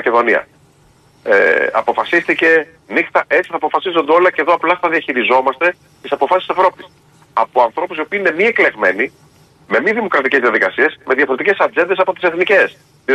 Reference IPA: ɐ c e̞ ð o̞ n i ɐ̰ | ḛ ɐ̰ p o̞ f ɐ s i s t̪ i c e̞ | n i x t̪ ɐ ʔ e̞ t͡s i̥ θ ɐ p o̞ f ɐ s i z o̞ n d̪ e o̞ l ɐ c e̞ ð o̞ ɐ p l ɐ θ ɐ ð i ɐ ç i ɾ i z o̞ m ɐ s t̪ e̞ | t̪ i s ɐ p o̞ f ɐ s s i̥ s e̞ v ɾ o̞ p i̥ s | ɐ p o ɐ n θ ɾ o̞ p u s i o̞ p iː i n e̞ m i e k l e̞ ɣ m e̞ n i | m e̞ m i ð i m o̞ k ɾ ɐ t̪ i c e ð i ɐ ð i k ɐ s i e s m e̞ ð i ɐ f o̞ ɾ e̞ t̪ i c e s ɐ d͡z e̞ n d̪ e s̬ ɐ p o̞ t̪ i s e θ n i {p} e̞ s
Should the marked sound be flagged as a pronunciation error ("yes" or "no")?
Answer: yes